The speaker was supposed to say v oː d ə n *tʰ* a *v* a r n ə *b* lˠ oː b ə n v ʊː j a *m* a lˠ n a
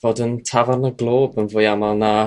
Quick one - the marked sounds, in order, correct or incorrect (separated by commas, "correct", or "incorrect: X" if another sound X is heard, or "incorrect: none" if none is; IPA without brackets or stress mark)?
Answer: correct, correct, incorrect: ɡ, correct